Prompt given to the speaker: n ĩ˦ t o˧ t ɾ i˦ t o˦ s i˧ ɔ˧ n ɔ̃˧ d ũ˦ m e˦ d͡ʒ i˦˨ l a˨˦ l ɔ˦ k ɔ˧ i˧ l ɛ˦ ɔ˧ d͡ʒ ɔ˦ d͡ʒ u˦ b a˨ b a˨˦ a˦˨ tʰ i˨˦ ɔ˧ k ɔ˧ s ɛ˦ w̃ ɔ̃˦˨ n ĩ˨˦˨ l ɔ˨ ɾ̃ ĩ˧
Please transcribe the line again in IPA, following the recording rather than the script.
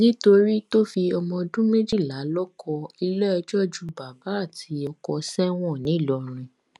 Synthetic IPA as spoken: n ĩ˦ t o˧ ɾ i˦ t o˦ f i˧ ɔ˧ m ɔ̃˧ d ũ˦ m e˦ d͡ʒ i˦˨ l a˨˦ l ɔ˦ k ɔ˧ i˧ l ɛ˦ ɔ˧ d͡ʒ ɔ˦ d͡ʒ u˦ b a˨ b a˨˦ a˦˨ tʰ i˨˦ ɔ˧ k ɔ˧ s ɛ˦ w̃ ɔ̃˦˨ n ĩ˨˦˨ l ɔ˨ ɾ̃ ĩ˧

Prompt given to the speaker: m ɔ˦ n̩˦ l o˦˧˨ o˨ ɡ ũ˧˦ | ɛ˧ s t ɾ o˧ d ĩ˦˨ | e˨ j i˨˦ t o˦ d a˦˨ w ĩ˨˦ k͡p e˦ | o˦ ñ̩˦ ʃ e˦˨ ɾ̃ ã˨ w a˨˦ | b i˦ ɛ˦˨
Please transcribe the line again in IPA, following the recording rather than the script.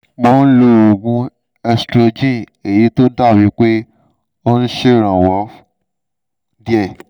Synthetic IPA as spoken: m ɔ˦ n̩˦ l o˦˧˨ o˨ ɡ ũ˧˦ | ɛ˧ s t ɾ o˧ d͡ʒ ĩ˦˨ | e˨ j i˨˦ t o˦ d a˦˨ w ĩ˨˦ k͡p e˦ | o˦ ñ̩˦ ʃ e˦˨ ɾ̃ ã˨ w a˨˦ | d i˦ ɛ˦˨

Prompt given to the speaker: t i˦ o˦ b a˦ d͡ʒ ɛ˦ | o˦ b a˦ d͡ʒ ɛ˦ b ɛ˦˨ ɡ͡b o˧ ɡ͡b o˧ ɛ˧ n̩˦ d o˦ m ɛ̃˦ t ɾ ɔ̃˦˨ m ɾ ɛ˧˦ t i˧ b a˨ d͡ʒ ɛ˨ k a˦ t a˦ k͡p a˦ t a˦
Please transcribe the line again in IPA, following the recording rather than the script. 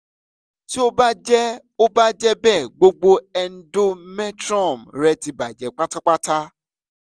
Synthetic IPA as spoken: t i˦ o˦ b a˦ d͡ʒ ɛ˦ | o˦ b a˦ d͡ʒ ɛ˦ b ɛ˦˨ ɡ͡b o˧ ɡ͡b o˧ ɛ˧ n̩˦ d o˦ m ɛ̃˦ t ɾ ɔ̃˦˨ m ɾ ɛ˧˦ t i˧ b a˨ d͡ʒ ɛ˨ k͡p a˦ t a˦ k͡p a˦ t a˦

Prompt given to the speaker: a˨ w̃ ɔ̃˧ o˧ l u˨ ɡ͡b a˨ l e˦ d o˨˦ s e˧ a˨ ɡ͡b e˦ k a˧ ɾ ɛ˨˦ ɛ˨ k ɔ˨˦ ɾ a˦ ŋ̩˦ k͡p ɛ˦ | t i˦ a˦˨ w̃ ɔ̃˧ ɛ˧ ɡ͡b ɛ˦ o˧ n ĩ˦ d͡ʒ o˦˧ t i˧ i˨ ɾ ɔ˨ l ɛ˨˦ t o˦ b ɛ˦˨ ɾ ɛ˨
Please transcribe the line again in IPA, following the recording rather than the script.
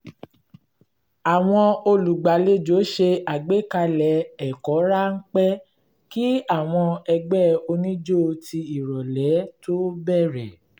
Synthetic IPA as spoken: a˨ w̃ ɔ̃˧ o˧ l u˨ ɡ͡b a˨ l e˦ d͡ʒ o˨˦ ʃ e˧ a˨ ɡ͡b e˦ k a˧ l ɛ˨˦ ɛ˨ k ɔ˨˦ ɾ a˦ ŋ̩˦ k͡p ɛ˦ | k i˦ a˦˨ w̃ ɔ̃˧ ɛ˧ ɡ͡b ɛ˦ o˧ n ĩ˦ d͡ʒ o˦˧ t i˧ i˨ ɾ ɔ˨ l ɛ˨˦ t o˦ b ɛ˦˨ ɾ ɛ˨

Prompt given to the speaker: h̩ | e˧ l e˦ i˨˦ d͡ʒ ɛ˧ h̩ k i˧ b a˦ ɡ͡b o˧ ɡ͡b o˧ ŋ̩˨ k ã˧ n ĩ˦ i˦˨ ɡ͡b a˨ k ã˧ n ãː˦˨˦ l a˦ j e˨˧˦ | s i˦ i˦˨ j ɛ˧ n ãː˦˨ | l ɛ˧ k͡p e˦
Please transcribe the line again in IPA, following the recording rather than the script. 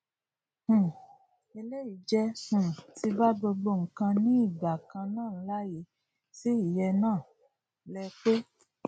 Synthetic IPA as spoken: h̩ | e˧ l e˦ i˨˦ d͡ʒ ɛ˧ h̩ t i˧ b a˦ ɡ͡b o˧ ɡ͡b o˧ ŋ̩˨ k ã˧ n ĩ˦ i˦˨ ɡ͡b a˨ k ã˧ n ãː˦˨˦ l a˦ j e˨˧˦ | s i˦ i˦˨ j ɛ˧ n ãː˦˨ | l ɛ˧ k͡p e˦

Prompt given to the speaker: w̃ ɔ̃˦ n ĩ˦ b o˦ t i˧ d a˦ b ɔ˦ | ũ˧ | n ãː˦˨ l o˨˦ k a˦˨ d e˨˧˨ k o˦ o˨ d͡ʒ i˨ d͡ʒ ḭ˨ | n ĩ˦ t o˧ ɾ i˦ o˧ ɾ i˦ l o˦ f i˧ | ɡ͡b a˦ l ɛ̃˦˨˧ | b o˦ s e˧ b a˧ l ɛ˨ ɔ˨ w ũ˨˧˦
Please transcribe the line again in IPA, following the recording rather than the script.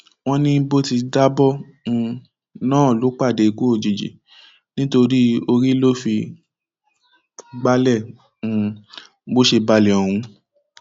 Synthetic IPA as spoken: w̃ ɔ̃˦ n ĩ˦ b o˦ t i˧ d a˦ b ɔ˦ | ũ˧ | n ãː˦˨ l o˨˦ k͡p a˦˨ d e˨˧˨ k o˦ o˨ d͡ʒ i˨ d͡ʒ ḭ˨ | n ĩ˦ t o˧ ɾ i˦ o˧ ɾ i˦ l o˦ f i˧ | ɡ͡b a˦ l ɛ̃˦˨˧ | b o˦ ʃ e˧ b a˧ l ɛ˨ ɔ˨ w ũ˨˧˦

